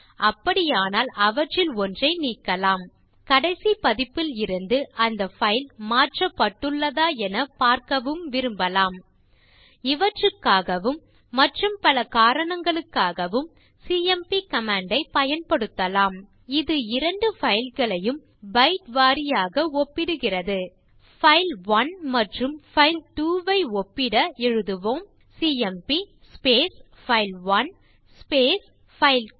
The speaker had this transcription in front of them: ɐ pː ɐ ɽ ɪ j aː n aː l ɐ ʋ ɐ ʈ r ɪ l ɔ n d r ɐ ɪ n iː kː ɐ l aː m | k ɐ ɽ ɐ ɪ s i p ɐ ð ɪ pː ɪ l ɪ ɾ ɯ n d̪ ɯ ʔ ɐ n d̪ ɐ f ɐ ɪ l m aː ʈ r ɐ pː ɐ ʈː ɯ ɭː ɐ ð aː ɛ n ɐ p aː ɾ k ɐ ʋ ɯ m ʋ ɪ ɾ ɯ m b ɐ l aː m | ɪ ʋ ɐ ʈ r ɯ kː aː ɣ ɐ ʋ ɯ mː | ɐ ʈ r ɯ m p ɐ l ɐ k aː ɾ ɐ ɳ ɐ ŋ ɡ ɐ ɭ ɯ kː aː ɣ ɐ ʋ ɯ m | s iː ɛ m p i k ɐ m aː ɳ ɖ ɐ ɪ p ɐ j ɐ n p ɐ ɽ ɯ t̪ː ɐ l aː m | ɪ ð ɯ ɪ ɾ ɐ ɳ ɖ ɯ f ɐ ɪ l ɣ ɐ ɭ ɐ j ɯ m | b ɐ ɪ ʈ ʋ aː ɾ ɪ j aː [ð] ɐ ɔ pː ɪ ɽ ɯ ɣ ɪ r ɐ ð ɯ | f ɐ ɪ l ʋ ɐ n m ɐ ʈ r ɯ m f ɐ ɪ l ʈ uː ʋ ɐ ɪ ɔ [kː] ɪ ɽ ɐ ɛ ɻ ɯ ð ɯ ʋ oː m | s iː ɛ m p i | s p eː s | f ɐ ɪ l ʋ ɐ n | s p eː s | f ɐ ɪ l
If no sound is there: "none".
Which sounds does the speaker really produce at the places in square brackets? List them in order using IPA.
ɣ, pː

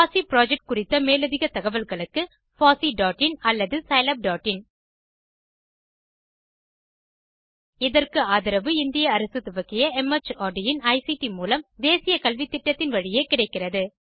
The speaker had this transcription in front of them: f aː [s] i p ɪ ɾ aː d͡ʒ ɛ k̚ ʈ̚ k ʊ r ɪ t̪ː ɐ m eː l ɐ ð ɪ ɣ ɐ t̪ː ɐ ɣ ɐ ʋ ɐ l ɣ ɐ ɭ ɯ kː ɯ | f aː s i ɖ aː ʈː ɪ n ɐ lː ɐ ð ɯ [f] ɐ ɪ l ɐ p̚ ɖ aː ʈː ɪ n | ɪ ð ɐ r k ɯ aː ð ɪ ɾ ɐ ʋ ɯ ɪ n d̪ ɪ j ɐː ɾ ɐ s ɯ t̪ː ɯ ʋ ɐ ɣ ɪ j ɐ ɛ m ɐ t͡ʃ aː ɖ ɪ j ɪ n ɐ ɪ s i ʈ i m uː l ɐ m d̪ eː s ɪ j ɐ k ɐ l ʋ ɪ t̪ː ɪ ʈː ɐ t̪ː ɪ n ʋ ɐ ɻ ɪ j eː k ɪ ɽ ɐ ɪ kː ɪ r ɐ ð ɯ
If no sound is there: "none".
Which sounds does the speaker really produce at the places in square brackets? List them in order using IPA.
s, s

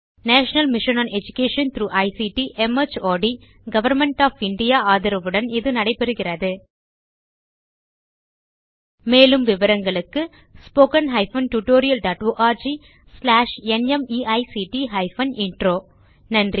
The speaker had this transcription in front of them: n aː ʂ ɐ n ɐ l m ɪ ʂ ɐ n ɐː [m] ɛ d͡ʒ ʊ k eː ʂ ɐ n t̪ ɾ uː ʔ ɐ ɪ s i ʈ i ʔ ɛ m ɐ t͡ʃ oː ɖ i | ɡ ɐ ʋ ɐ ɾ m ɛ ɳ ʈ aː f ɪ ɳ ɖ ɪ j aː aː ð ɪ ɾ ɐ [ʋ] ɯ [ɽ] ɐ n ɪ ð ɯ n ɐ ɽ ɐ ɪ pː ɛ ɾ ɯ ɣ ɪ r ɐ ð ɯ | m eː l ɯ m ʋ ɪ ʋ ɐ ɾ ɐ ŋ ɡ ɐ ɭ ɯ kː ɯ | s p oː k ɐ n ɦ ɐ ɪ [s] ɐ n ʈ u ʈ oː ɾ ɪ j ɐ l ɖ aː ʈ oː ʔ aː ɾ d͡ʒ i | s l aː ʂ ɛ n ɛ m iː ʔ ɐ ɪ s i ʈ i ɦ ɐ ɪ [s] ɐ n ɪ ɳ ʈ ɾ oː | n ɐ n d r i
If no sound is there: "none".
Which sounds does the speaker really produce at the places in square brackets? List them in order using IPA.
n, ʋ, ɽ, f, f

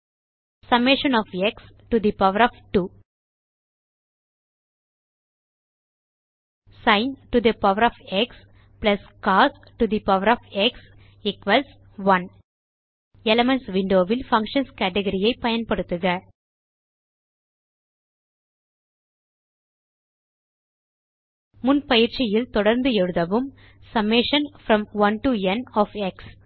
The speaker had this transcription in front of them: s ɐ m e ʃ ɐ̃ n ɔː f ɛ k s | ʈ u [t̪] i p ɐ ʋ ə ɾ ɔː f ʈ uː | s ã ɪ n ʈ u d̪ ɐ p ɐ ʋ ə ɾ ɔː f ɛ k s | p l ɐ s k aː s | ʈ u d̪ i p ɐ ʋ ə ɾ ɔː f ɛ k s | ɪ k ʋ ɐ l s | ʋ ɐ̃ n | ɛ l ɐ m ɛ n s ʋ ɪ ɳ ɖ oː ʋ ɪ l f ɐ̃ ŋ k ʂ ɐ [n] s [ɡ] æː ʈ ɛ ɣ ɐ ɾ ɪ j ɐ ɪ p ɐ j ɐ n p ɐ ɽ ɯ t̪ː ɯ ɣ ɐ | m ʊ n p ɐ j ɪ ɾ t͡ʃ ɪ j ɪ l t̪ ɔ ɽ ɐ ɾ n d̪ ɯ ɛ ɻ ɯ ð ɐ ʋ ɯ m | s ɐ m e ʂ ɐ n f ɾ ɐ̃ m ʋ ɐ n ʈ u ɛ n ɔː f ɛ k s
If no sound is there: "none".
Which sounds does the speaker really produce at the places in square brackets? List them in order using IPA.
d̪, n, k

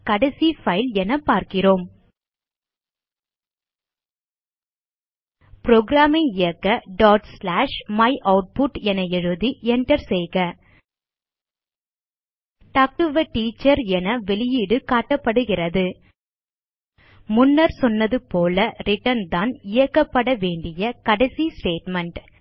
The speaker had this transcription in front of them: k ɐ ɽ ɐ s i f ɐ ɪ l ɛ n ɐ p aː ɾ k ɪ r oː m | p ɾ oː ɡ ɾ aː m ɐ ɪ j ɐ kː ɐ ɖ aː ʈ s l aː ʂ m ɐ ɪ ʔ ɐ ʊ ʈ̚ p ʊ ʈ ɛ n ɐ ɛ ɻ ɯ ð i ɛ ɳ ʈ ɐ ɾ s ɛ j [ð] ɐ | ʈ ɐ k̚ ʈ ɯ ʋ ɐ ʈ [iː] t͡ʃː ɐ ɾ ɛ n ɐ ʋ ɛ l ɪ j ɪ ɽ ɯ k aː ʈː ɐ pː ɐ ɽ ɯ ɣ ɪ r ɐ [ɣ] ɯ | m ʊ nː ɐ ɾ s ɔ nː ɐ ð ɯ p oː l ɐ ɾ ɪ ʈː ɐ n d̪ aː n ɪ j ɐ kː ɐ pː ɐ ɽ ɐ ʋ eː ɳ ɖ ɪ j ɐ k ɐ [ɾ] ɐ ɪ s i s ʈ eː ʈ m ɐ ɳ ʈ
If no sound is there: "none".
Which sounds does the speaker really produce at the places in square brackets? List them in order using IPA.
ɣ, iː, ð, ɽ

